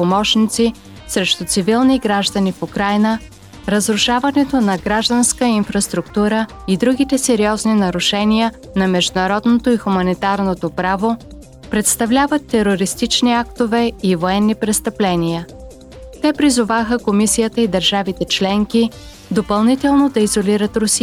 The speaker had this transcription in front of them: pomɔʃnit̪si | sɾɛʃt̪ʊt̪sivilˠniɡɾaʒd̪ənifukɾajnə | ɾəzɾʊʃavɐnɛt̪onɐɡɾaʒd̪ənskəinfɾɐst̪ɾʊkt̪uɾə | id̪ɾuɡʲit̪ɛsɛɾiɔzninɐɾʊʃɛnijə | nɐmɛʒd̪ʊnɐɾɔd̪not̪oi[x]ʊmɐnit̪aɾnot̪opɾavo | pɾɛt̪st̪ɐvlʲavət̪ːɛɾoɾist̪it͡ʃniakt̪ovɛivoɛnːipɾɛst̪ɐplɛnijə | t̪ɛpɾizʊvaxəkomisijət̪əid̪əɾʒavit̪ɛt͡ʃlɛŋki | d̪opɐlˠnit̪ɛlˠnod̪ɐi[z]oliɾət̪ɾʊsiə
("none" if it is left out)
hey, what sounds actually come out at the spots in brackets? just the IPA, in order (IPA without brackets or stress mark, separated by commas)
x, z